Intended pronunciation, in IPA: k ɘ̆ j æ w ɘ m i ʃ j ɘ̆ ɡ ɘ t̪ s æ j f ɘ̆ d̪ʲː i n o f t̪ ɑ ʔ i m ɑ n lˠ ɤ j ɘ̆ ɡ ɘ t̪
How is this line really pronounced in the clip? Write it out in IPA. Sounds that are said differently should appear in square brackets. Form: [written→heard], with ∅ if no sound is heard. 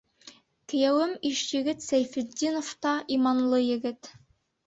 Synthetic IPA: k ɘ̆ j æ w ɘ m i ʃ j ɘ̆ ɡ ɘ t̪ s æ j f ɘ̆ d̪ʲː i n o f t̪ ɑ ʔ i m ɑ n lˠ ɤ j ɘ̆ ɡ ɘ t̪

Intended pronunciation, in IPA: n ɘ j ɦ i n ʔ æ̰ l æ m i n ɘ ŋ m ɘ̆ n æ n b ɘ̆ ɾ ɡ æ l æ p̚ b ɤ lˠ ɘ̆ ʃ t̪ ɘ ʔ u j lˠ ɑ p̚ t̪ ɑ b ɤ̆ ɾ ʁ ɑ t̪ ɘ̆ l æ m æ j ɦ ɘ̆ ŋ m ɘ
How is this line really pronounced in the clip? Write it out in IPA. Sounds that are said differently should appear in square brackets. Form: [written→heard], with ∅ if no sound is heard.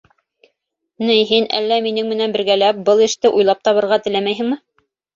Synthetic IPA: n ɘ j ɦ i n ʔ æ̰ [l→lː] æ m i n ɘ ŋ m ɘ̆ n æ n b ɘ̆ ɾ ɡ æ l æ p̚ b ɤ lˠ ɘ̆ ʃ t̪ ɘ ʔ u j lˠ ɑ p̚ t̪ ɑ [b→β] ɤ̆ ɾ ʁ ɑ t̪ ɘ̆ l æ m æ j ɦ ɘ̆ ŋ m ɘ

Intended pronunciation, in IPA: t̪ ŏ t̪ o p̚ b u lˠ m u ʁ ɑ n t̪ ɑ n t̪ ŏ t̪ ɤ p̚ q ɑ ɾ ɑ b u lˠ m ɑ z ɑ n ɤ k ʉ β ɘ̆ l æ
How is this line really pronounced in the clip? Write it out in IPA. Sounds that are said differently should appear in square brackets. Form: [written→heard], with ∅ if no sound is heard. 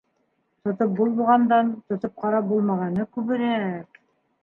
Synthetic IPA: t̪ ŏ t̪ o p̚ b u lˠ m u ʁ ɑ n [t̪→d̪] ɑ n t̪ ŏ t̪ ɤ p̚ q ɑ ɾ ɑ b u lˠ m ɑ [z→ʁ] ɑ n ɤ k ʉ β ɘ̆ [l→ɾ] æ

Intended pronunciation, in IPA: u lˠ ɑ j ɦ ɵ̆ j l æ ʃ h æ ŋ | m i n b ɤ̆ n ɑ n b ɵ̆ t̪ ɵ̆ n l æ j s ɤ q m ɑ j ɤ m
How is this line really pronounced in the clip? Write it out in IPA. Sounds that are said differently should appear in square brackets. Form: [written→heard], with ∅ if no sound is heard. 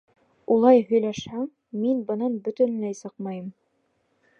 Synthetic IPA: u lˠ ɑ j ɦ ɵ̆ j l æ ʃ h æ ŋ | m i n b ɤ̆ n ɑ n b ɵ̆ t̪ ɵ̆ n l æ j s ɤ q m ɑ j ɤ m

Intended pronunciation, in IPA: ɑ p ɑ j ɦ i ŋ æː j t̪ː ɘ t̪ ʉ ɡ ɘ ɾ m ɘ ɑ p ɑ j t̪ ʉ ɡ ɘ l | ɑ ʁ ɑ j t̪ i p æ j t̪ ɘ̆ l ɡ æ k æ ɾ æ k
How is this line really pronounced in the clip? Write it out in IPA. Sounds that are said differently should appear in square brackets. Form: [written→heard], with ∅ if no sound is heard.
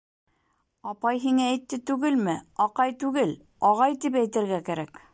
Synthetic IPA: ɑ p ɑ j ɦ i ŋ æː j t̪ː ɘ t̪ ʉ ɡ ɘ [ɾ→l] m ɘ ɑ [p→q] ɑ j t̪ ʉ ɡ ɘ l | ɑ ʁ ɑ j t̪ i p æ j t̪ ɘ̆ [l→ɾ] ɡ æ k æ ɾ æ k

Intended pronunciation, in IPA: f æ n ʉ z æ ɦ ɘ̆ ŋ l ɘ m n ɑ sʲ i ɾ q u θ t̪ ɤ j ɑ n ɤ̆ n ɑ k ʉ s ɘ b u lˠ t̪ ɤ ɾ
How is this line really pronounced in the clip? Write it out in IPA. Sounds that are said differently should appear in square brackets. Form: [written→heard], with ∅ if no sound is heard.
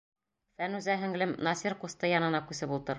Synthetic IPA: f æ n ʉ z æ ɦ ɘ̆ ŋ l ɘ m n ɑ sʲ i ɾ q u [θ→s] t̪ ɤ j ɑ n ɤ̆ n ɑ k ʉ s ɘ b u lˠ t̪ ɤ ɾ

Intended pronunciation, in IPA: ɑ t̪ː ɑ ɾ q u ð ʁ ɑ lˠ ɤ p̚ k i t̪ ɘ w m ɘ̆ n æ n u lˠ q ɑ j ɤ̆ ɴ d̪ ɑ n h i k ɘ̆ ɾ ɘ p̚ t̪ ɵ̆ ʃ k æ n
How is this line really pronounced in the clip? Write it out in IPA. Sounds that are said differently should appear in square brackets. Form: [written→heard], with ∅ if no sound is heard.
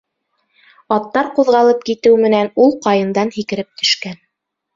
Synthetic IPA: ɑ t̪ː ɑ ɾ q u ð ʁ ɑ lˠ ɤ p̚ k i t̪ ɘ w m ɘ̆ n æ n u lˠ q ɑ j ɤ̆ [ɴ→n] d̪ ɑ n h i k ɘ̆ ɾ ɘ p̚ t̪ ɵ̆ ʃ k æ n

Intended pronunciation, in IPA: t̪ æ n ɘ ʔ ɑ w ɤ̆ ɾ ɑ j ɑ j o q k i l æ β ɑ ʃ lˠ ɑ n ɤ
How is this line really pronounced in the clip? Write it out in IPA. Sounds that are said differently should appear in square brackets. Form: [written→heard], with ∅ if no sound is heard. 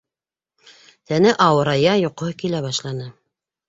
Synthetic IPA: t̪ æ n ɘ ʔ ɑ w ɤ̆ ɾ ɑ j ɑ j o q k i l æ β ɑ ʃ lˠ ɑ n ɤ

